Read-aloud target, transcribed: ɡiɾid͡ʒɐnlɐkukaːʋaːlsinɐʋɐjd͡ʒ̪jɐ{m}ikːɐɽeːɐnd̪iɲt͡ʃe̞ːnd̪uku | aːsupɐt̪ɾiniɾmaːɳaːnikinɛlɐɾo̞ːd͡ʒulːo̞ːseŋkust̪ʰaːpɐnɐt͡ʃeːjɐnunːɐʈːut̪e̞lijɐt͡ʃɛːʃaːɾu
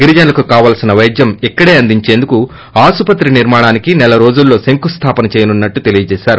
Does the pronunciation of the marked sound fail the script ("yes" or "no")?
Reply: no